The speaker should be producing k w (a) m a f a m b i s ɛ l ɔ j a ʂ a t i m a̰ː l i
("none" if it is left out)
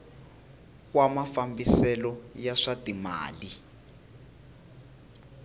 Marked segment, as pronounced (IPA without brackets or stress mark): a